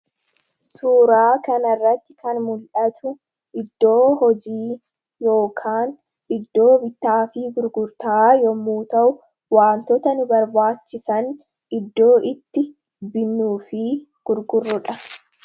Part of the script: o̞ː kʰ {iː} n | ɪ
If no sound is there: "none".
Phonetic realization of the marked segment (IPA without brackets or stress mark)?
aː